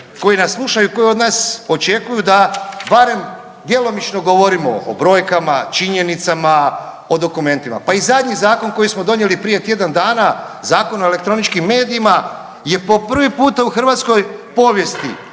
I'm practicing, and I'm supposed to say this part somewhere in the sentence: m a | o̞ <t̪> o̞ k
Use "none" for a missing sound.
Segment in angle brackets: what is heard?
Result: d̪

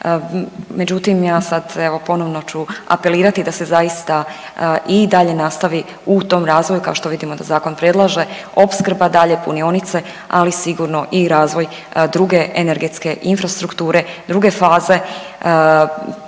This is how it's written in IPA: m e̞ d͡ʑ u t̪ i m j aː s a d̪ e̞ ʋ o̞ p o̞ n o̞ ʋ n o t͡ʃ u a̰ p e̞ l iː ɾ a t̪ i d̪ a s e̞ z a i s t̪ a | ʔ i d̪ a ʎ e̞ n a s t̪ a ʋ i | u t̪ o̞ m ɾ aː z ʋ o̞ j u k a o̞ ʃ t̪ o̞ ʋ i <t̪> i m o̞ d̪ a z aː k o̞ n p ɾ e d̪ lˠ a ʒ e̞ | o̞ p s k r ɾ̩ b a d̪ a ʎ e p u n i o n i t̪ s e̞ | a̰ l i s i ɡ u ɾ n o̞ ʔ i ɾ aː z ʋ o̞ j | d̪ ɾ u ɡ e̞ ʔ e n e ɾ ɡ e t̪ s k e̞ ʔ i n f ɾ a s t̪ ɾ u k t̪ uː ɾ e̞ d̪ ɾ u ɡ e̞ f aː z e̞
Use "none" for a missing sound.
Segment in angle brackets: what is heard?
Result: d̪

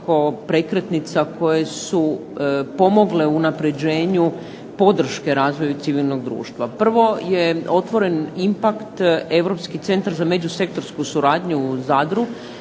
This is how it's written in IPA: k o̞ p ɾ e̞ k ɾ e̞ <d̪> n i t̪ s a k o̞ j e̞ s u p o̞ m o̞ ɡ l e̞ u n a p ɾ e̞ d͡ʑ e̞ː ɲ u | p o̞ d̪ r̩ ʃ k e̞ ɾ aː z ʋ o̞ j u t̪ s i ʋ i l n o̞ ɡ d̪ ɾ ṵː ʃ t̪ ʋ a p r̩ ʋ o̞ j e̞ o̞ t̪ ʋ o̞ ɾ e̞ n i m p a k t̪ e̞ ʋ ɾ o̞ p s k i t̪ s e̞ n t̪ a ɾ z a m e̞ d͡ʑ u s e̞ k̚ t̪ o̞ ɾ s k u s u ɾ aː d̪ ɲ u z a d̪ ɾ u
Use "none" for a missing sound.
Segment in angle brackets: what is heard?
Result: t̪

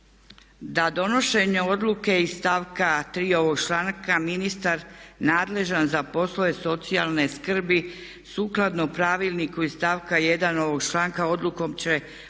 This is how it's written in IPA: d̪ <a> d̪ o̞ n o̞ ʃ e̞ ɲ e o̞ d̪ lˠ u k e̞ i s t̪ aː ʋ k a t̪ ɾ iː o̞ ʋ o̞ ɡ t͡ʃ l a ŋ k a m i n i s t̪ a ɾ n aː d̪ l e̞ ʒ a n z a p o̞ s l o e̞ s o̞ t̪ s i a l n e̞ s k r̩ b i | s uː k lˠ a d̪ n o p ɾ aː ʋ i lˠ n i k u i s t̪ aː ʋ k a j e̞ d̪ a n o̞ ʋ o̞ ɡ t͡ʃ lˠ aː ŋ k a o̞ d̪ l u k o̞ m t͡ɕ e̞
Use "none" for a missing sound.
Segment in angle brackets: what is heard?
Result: a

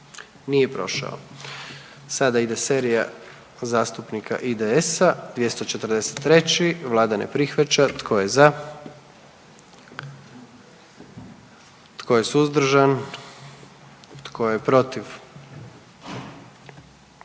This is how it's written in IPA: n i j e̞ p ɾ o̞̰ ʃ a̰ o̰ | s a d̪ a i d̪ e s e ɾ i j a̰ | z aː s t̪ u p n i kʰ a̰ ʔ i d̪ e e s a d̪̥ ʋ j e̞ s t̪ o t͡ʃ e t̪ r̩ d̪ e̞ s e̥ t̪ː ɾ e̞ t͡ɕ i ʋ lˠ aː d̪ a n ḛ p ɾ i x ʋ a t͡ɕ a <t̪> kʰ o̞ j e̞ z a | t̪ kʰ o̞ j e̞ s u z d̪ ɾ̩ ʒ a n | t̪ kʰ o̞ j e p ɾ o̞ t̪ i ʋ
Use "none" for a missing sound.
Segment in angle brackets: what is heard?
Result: t̪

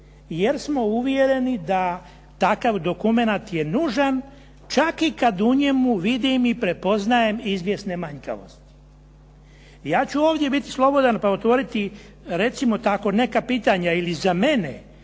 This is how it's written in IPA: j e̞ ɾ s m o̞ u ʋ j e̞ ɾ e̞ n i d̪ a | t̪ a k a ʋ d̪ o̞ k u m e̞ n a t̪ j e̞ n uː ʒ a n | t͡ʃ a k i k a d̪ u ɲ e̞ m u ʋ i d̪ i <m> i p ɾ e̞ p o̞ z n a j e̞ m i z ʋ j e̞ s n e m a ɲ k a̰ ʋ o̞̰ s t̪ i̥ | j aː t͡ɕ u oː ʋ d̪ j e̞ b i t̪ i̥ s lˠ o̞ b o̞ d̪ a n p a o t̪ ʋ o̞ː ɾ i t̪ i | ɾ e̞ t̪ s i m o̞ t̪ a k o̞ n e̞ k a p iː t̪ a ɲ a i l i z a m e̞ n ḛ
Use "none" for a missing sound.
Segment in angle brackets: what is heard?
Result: m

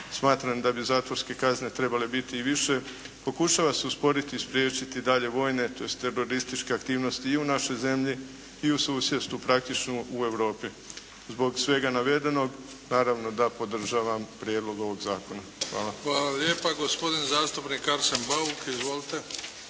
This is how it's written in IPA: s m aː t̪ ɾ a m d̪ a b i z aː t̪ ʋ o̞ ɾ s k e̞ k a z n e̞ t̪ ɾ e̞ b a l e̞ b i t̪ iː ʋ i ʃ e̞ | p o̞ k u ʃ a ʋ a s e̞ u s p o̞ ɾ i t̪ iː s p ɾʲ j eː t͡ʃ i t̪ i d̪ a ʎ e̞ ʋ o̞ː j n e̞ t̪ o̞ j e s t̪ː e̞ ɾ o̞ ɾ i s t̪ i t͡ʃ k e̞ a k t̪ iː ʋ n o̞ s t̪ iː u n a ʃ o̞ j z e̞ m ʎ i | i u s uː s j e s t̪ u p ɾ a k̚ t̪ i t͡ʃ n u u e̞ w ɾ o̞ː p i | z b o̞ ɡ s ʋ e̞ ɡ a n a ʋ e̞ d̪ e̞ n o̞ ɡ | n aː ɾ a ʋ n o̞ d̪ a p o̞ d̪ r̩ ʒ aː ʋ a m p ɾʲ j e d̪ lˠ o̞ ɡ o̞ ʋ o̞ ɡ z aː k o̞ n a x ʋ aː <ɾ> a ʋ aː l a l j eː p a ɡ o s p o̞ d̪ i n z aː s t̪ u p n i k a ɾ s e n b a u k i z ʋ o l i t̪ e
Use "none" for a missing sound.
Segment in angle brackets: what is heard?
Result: l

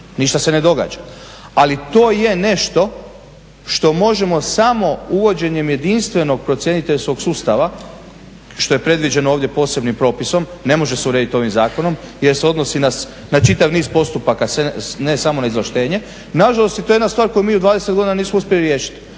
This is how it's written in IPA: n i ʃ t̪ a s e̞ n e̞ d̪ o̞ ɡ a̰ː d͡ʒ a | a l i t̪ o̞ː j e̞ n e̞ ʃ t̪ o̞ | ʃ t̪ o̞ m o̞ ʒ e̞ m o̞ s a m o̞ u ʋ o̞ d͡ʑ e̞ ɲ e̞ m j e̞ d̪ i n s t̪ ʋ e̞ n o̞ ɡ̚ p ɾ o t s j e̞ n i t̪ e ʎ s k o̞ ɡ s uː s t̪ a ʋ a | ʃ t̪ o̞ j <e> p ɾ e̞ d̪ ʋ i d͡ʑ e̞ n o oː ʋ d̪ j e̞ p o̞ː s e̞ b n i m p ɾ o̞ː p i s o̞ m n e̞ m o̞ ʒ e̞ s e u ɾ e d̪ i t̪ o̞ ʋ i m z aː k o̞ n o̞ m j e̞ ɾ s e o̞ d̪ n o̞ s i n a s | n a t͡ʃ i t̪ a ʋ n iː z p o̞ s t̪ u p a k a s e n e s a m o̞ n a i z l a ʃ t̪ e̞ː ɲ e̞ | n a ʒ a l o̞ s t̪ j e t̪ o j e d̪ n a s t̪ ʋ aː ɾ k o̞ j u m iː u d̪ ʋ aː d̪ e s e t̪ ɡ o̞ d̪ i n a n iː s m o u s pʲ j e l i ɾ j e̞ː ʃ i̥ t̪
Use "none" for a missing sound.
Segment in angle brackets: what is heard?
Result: e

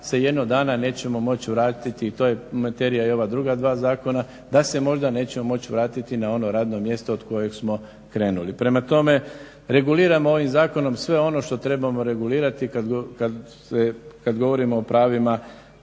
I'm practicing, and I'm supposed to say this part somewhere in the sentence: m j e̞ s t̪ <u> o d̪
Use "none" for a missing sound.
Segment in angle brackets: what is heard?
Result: o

